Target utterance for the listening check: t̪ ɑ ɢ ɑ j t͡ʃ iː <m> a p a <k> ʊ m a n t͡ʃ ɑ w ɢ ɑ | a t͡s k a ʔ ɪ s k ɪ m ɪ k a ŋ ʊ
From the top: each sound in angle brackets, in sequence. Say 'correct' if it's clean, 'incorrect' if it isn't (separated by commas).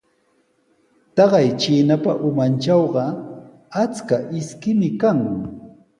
incorrect, incorrect